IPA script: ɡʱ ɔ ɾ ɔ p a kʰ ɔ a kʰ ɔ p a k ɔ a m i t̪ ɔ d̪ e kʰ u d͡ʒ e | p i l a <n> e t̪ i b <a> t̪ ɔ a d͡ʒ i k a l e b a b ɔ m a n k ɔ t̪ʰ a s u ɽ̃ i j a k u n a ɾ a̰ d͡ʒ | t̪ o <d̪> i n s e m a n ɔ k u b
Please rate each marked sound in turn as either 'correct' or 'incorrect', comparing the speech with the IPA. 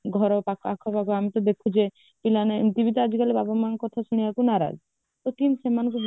correct, incorrect: i, incorrect: t̪

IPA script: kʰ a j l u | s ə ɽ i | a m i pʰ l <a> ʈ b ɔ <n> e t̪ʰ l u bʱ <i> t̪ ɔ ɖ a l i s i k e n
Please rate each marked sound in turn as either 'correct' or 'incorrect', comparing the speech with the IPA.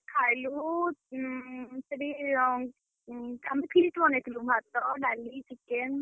incorrect: i, correct, incorrect: a

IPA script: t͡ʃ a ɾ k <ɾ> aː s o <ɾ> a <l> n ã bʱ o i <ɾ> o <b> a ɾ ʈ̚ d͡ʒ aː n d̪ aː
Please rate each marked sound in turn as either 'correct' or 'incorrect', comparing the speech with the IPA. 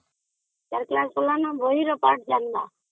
incorrect: l, incorrect: l, incorrect: none, correct, incorrect: p

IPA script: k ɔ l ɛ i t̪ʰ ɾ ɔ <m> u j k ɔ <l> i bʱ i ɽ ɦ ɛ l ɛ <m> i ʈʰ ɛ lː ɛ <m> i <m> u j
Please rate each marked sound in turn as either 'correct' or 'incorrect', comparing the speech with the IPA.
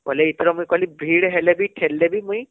correct, correct, incorrect: b, incorrect: b, correct

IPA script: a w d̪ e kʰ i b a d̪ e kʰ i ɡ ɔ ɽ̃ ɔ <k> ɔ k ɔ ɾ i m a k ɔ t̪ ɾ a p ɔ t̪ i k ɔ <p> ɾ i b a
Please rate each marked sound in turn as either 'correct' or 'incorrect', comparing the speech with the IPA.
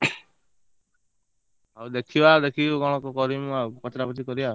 correct, incorrect: none

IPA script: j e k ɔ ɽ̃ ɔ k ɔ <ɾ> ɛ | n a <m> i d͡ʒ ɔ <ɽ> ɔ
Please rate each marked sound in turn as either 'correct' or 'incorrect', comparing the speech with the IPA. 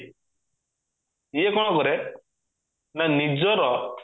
correct, incorrect: n, incorrect: ɾ

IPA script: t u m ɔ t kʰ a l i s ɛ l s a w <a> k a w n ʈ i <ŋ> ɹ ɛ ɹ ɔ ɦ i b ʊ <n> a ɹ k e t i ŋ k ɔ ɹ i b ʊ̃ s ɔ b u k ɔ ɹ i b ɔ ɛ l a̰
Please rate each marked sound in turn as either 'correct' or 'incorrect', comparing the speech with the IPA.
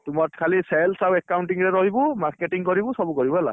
incorrect: ɛ, correct, incorrect: m

